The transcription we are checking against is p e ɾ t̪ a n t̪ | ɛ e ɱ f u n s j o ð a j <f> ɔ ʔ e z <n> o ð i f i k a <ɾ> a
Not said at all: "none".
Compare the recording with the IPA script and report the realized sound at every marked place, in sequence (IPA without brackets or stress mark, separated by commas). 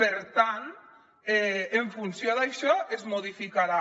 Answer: ʃ, m, ɾ